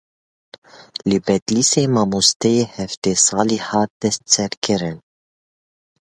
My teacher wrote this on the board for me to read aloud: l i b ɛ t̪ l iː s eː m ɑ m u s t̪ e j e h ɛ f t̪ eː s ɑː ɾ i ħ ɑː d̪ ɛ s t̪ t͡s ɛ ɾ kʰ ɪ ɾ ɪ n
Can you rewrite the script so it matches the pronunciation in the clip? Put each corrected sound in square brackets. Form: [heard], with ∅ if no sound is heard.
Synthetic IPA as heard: l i b ɛ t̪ l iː s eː m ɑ m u s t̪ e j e h ɛ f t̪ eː s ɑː [l] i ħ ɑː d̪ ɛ s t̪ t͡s ɛ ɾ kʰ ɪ ɾ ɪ n